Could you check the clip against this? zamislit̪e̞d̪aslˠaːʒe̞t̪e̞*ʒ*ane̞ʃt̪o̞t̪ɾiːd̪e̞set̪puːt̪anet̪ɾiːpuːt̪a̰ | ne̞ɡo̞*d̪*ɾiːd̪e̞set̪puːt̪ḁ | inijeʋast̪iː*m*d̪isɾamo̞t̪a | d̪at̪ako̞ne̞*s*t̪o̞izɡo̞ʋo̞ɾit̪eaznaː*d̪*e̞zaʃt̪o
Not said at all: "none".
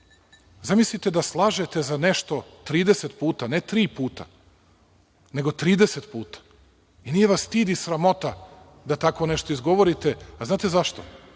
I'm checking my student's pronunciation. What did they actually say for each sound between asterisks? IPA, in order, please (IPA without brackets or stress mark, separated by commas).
z, t̪, none, ʃ, t̪